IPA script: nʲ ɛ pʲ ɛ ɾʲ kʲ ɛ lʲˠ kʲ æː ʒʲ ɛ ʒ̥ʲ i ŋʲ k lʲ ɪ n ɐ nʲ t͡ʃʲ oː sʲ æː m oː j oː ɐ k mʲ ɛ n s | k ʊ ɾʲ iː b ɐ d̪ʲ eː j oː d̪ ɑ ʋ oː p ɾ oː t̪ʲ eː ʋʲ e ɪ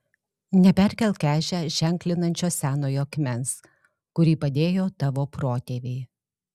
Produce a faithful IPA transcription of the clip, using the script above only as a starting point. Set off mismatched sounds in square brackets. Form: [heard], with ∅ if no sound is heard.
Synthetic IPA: nʲ ɛ pʲ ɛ ɾʲ kʲ ɛ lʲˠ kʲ æː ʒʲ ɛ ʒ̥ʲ [ɛ] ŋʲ k lʲ ɪ n ɐ nʲ t͡ʃʲ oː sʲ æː [n] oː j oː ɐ k mʲ ɛ n s | k ʊ ɾʲ iː [p] ɐ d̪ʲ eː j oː [t̪] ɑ ʋ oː p ɾ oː t̪ʲ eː ʋʲ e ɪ